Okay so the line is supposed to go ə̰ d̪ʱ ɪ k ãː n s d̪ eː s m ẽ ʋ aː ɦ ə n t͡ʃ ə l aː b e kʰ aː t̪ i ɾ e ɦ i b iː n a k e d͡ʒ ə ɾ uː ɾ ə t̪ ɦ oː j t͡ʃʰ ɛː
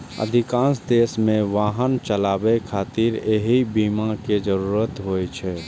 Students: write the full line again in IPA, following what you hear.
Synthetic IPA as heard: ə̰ d̪ʱ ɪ k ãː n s d̪ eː s m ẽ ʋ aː ɦ ə n t͡ʃ ə l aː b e kʰ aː t̪ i ɾ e ɦ i b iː m a k e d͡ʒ ə ɾ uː ɾ ə t̪ ɦ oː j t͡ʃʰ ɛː